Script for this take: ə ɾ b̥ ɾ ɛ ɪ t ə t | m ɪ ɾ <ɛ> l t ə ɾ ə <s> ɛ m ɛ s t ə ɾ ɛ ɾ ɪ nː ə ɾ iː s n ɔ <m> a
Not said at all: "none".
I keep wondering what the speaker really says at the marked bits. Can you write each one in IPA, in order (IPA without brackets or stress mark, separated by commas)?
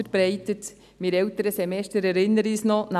ɛ, s, n